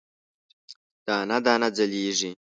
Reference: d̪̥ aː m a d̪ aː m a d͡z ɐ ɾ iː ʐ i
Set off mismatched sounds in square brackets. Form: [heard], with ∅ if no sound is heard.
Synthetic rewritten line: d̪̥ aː [n] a d̪ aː [n] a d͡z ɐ [l] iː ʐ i